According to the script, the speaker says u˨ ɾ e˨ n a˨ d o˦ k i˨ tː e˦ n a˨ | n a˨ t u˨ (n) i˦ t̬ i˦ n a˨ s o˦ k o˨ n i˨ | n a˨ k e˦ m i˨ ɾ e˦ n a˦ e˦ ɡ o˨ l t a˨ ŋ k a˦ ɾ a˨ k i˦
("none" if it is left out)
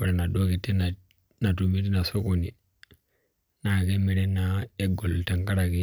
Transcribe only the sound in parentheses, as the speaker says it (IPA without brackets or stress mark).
m